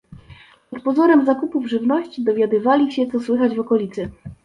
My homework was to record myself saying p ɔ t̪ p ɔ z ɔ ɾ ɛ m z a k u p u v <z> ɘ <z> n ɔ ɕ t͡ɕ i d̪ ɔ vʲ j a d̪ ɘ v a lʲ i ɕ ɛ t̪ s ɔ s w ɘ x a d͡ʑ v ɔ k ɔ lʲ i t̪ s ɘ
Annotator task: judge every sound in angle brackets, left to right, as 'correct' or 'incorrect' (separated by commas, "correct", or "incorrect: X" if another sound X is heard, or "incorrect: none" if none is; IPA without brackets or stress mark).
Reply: incorrect: ʐ, incorrect: v